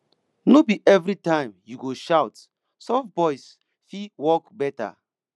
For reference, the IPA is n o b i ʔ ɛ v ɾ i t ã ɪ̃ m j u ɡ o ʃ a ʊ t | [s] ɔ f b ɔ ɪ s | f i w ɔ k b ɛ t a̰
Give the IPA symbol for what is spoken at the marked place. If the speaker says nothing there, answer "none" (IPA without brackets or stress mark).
s